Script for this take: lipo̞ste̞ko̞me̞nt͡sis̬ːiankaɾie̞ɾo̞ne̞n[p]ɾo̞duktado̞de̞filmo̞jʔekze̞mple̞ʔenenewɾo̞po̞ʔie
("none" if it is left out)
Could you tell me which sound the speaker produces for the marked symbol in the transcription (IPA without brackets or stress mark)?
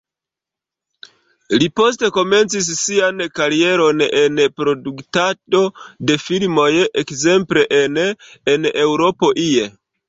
p